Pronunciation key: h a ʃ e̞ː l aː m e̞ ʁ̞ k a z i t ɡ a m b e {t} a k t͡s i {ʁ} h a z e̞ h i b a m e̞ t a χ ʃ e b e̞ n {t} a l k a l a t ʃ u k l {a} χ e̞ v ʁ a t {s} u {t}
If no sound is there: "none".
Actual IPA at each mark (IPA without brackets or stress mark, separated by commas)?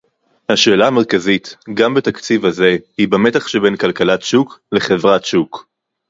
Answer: t, v, k, e, ʃ, k